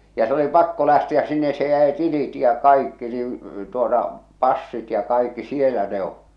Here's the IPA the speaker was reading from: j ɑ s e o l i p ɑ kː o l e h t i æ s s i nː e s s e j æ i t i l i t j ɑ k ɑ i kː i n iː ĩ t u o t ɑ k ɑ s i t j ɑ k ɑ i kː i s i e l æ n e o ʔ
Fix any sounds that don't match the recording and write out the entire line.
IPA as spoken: j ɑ s e o l i p ɑ kː o l æ h t i æ s s i nː e s s e j æ i t i l i t j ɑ k ɑ i kː i n iː ĩ t u o t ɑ p ɑ sː i t j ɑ k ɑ i kː i s i e l æ n e o ʔ